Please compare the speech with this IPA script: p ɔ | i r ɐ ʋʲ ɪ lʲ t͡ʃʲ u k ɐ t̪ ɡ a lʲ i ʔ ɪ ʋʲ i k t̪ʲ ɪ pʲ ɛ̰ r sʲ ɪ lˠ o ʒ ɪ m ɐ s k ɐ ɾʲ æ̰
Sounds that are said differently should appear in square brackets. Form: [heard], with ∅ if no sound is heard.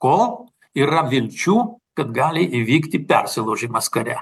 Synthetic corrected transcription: [k] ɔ | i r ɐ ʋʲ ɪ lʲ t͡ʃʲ u k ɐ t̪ ɡ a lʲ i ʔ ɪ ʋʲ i k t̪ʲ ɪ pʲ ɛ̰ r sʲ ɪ lˠ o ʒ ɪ m ɐ s k ɐ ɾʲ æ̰